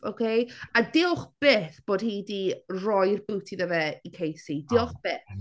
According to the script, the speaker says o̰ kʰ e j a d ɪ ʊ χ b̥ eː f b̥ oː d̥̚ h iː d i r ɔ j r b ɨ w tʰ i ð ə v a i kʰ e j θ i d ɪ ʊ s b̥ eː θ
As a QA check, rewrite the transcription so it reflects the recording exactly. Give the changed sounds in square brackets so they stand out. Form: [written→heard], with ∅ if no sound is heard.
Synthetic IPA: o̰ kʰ e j a d ɪ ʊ χ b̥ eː [f→θ] b̥ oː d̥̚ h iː d i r ɔ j r b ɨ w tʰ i ð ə v [a→ɛ] i kʰ e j [θ→s] i d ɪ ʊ [s→χ] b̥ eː θ